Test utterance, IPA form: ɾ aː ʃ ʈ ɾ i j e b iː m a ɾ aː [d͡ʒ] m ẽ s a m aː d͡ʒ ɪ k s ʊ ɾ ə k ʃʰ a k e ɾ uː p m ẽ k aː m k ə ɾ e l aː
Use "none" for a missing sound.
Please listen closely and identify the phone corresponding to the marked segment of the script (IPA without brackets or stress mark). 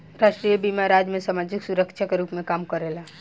d͡ʒ